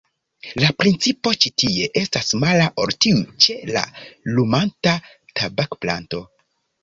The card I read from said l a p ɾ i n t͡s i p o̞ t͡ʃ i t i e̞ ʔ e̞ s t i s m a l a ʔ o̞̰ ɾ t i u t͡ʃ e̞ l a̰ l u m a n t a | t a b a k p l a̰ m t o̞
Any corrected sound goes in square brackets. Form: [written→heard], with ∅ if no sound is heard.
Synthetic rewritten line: l a p ɾ i n t͡s i p o̞ t͡ʃ i t i e̞ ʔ e̞ s t [i→a] s m a l a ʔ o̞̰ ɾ t i u t͡ʃ e̞ l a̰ l u m a n t a | t a b a k p l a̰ [m→n] t o̞